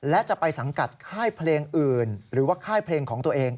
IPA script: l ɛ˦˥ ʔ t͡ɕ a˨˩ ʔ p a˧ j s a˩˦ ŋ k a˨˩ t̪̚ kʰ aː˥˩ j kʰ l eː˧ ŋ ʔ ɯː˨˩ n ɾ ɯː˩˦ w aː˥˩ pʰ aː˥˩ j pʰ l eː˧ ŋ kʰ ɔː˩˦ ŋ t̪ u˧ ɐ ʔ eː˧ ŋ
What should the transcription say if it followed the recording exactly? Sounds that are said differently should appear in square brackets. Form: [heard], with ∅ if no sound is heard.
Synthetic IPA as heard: l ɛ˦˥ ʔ t͡ɕ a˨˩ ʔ p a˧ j s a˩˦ ŋ k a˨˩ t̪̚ kʰ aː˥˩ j [pʰ] l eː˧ ŋ ʔ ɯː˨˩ n ɾ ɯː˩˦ w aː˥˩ [kʰ] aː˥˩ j pʰ l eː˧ ŋ kʰ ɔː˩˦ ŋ t̪ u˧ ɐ ʔ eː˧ ŋ